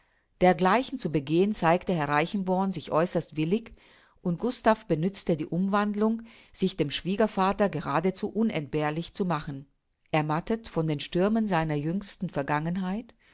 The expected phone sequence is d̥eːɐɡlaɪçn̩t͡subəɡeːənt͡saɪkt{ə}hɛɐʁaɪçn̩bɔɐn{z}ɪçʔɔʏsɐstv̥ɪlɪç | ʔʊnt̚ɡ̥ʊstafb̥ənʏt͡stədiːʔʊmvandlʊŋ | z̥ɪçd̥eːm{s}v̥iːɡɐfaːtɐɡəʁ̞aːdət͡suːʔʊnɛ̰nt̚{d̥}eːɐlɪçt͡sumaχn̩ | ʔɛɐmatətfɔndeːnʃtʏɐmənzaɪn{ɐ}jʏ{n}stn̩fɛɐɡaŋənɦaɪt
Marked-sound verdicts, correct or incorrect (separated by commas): correct, correct, incorrect, incorrect, correct, incorrect